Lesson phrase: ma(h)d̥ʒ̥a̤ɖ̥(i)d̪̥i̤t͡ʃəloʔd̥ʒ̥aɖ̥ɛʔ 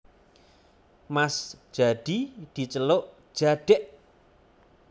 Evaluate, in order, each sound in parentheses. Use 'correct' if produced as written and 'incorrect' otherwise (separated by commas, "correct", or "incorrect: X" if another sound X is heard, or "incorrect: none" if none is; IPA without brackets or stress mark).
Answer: incorrect: s, correct